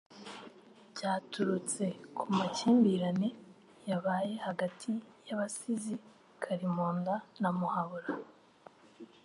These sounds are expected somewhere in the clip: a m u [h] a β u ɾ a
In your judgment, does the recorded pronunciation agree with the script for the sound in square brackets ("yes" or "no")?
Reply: yes